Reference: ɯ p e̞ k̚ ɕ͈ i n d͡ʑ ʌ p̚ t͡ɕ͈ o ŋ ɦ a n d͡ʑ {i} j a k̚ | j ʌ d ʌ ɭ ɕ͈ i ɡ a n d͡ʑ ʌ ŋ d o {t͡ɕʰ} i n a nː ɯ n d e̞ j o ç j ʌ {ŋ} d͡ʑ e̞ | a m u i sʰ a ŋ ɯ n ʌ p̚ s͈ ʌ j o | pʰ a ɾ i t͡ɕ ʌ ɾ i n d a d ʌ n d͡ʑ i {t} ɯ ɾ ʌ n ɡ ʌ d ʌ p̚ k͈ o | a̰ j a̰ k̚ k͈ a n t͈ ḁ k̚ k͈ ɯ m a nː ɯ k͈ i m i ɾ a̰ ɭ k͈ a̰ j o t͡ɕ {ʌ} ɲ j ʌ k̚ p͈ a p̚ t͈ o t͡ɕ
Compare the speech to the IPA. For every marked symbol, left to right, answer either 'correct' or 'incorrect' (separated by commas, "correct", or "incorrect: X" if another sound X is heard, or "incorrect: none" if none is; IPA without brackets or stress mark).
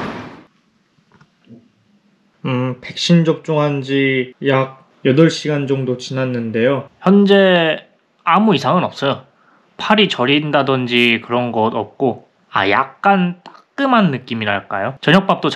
correct, incorrect: t͡ɕ, incorrect: n, incorrect: k, correct